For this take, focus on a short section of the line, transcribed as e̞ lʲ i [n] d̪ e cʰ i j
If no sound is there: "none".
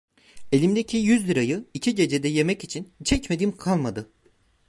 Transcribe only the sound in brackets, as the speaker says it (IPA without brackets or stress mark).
m